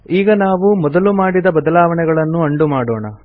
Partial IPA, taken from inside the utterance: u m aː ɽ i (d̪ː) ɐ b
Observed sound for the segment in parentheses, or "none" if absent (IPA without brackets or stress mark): d̪